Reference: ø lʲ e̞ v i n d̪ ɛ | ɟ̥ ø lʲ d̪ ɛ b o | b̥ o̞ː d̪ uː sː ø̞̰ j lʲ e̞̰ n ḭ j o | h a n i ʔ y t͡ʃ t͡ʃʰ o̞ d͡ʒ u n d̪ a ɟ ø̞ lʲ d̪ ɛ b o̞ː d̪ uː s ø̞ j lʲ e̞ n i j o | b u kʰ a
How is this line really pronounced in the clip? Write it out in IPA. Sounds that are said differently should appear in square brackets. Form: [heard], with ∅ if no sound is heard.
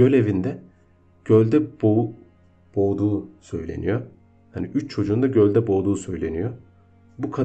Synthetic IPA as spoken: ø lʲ e̞ v i n d̪ ɛ | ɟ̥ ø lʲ d̪ ɛ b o | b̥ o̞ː d̪ uː [s] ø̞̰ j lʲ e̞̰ n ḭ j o | h a n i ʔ y t͡ʃ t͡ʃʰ o̞ d͡ʒ [uː] n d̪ a ɟ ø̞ lʲ d̪ ɛ b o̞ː d̪ uː s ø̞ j lʲ e̞ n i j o | b u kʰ a